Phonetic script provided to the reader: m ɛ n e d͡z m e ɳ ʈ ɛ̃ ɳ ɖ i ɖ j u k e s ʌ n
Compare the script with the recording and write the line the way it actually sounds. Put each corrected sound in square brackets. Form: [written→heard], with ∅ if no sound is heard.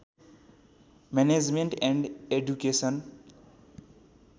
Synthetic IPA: m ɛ n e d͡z m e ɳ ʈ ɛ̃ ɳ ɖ [i→e] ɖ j u k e s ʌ n